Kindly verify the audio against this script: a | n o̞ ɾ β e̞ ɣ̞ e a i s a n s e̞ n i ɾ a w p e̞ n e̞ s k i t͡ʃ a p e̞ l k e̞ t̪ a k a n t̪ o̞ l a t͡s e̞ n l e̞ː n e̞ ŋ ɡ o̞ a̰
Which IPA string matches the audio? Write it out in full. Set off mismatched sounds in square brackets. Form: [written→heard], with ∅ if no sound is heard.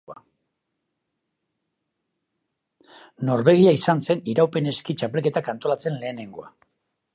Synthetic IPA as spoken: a | n o̞ ɾ β e̞ ɣ̞ [e→i] a i s a n s e̞ n i ɾ a w p e̞ n e̞ s k i t͡ʃ a p e̞ l k e̞ t̪ a k a n t̪ o̞ l a t͡s e̞ n l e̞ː n e̞ ŋ ɡ o̞ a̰